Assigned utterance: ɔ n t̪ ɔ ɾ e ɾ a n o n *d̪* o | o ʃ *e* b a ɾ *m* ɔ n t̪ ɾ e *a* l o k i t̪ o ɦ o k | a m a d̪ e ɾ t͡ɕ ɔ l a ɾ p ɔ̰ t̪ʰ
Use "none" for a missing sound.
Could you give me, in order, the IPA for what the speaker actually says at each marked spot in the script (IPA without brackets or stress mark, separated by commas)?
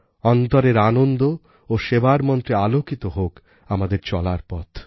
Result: d̪, e, m, a